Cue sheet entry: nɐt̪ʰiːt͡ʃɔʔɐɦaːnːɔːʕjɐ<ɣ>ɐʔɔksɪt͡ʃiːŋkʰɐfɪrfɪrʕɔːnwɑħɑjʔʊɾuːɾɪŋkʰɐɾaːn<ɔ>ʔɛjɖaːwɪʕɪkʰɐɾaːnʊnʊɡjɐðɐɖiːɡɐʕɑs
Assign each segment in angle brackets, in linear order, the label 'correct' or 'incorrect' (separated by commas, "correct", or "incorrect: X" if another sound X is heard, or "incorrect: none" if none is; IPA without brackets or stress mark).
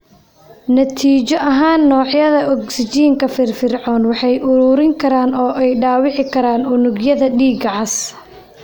incorrect: ð, incorrect: ɔː